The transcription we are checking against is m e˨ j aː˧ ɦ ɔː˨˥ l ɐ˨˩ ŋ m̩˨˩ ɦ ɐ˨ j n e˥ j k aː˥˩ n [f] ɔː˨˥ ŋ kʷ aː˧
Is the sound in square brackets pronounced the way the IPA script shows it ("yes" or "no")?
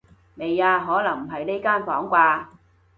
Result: yes